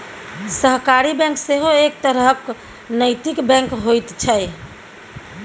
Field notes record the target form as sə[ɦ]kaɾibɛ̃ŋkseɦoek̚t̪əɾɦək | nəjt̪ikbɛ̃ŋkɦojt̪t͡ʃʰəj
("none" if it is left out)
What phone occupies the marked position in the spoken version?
ɦ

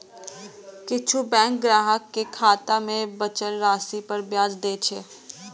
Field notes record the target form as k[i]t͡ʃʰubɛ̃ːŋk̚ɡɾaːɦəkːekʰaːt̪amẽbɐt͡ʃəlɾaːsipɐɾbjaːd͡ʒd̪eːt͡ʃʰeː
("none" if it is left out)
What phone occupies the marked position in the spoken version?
ɪ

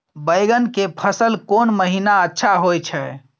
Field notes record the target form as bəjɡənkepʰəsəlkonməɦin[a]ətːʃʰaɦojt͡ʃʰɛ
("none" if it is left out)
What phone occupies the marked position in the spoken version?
a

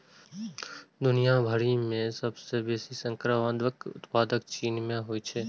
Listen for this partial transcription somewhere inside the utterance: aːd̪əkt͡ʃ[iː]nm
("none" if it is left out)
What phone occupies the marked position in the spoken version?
iː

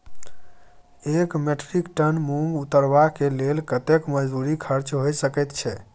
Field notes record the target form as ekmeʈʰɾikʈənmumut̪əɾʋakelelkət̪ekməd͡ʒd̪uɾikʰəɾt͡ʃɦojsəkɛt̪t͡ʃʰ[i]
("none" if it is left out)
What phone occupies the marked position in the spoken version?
ɛ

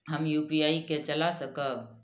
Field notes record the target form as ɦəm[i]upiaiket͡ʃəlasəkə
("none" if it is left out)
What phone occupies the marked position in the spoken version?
j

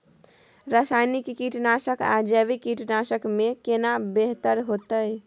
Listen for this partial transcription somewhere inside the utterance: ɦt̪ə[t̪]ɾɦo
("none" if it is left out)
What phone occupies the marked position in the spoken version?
none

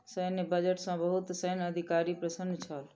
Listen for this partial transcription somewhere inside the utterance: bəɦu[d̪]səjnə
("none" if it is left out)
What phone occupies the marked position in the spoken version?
t̪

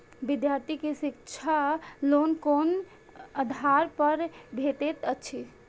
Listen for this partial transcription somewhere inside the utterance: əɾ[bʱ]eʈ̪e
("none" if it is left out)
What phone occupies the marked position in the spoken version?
bʱ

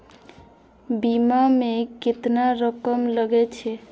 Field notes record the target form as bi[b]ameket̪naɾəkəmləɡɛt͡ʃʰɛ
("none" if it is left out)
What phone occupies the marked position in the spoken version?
m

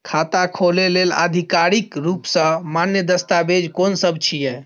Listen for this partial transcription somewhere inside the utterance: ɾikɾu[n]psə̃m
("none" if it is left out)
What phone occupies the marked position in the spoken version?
none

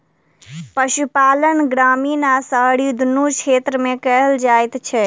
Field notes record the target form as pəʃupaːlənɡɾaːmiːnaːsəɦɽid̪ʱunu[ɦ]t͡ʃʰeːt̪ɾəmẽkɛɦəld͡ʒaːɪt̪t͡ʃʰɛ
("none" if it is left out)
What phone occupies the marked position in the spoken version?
none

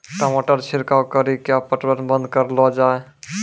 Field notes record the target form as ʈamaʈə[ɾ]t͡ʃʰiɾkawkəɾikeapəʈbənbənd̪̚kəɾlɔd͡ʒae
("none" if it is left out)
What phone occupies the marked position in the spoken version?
ɾ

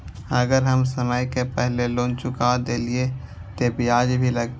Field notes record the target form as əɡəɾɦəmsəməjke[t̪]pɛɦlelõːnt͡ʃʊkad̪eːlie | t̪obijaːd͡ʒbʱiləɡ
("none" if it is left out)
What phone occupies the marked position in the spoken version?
none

